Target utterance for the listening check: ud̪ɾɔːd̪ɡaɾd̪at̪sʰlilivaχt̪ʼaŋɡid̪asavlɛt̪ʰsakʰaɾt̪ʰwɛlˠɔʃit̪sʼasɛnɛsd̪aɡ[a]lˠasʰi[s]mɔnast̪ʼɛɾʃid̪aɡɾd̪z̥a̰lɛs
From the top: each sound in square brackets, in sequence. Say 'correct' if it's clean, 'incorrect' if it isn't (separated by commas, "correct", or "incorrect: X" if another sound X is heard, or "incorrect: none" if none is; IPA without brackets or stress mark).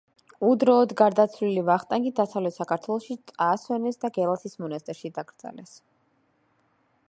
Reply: incorrect: ɛ, correct